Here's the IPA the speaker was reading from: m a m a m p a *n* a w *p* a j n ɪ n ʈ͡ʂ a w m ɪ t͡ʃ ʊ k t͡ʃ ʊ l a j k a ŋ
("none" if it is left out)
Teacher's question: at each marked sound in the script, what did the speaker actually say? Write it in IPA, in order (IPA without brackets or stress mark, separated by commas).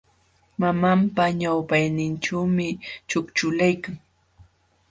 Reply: ɲ, p